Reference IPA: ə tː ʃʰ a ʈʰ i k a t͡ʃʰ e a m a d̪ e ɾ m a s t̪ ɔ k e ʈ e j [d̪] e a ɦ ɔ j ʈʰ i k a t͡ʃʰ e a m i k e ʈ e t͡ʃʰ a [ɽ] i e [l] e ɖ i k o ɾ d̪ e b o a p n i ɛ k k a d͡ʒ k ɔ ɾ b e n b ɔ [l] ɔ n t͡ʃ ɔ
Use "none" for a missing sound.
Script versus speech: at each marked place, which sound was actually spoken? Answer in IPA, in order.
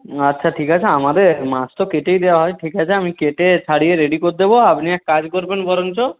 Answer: d̪, ɽ, ɾ, ɾ

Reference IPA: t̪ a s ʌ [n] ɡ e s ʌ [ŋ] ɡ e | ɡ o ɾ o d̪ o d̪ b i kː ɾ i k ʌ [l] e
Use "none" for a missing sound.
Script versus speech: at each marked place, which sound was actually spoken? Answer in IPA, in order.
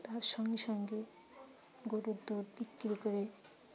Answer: ŋ, ŋ, ɾ

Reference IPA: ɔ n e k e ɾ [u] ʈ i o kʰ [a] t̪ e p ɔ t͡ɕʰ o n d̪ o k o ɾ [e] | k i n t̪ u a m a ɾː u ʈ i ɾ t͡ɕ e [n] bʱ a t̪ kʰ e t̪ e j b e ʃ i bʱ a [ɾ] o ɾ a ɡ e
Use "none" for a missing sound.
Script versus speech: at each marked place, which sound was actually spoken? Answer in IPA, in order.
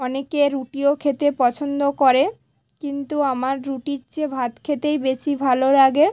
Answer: u, e, e, none, l

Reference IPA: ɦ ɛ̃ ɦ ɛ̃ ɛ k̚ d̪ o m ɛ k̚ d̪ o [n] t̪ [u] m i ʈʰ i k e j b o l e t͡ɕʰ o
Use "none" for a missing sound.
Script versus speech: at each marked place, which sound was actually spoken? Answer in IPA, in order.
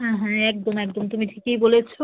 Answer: m, u

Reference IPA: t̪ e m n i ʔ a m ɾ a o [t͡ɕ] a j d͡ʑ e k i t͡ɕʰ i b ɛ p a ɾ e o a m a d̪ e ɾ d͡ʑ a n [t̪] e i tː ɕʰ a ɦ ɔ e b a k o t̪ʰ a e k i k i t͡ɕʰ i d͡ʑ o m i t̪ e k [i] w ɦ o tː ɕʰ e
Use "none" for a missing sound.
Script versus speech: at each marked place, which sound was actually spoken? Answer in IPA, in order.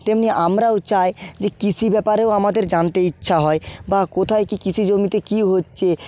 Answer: t͡ɕ, t̪, i

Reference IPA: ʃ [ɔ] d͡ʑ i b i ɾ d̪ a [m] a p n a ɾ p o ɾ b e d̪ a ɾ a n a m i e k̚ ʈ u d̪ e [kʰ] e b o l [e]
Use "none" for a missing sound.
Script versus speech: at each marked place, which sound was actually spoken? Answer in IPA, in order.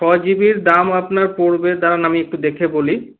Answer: ɔ, m, kʰ, i

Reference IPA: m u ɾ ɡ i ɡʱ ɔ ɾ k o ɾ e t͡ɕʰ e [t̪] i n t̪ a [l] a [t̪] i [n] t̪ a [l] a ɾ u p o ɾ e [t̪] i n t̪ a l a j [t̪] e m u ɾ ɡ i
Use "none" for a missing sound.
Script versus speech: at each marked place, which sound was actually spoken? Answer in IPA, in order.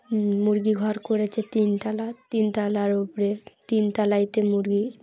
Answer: t̪, l, t̪, n, l, t̪, t̪

